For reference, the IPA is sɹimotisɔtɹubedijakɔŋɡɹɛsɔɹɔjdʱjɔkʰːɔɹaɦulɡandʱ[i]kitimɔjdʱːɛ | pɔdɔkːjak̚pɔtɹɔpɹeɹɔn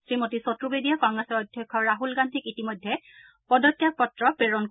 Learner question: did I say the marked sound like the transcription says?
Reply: yes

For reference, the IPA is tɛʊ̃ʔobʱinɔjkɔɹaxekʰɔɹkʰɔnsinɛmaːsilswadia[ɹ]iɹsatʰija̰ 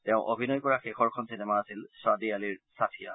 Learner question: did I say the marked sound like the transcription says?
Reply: no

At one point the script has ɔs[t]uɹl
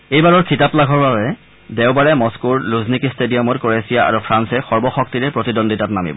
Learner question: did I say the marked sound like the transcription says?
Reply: no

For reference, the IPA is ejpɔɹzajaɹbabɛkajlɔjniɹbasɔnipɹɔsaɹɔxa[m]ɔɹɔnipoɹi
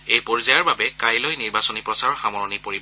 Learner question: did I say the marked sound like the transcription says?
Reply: yes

